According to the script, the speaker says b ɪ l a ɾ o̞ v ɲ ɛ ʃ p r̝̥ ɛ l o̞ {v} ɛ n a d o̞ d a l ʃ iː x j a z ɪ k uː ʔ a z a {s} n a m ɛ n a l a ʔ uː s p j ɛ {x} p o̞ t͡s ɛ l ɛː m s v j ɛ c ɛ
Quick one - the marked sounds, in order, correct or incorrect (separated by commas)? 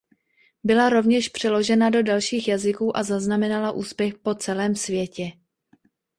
incorrect, incorrect, correct